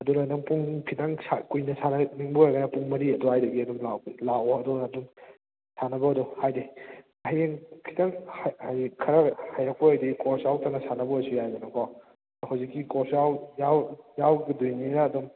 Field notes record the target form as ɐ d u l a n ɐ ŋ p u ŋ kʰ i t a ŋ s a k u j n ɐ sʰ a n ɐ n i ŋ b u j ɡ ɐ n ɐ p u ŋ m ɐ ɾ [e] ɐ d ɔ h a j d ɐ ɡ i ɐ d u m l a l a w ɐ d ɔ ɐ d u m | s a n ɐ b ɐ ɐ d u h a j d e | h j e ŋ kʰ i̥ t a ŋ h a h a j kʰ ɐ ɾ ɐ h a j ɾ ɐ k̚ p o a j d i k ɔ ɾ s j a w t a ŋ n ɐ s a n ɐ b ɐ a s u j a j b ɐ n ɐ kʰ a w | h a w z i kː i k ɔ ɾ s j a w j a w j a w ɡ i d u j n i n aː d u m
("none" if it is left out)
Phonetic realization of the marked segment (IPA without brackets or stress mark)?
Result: i